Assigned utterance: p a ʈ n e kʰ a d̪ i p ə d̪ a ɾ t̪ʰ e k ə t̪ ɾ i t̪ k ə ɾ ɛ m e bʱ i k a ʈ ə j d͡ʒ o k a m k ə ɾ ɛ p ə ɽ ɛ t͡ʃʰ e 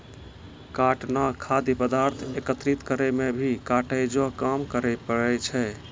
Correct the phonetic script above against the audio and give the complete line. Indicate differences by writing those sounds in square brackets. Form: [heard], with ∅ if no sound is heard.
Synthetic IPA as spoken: [k] a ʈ n [a] kʰ a d̪ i p ə d̪ a ɾ t̪ʰ e k ə t̪ ɾ i t̪ k ə ɾ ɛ m e bʱ i k a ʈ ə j d͡ʒ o k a m k ə ɾ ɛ p ə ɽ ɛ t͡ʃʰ [ɛ]